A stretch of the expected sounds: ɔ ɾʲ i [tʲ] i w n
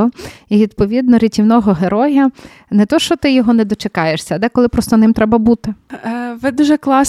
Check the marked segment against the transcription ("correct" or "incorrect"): correct